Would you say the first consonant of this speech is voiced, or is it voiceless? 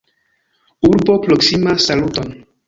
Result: voiced